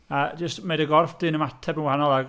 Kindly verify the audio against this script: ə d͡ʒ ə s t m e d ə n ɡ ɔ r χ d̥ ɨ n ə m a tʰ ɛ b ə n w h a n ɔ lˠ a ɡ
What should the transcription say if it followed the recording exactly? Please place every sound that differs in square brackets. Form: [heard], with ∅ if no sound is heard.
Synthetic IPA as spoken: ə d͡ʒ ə s t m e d ə [∅] ɡ ɔ r [f] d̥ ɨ n ə m a tʰ ɛ b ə n w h a n ɔ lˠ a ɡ